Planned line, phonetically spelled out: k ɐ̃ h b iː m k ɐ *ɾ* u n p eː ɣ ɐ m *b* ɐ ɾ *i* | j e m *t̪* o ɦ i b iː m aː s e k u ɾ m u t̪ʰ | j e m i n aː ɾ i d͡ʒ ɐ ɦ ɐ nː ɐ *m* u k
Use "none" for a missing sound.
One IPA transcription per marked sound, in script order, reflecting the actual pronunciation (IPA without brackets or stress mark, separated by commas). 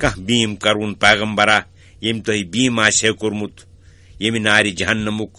ɾ, b, a, t̪, m